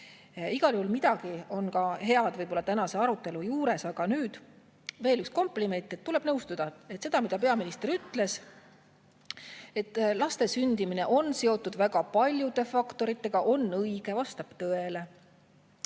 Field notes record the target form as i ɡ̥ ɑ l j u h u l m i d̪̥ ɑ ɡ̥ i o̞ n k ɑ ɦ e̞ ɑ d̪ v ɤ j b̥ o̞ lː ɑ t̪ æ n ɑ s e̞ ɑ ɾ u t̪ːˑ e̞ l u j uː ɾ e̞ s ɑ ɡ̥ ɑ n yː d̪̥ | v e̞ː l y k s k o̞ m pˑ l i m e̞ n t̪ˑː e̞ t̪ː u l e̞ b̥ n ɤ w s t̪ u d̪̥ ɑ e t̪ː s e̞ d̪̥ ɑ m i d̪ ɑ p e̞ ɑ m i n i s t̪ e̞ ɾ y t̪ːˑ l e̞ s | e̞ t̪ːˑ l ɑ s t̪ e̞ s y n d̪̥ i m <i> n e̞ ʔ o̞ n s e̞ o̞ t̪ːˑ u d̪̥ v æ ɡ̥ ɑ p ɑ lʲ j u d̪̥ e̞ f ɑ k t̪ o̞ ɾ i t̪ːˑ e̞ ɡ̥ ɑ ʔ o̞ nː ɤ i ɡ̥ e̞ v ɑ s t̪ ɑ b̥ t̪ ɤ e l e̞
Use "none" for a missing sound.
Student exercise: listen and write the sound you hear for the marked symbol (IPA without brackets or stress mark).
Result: i